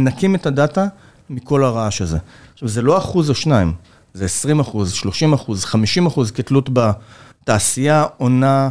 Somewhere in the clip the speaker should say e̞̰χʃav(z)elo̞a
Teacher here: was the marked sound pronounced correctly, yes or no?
yes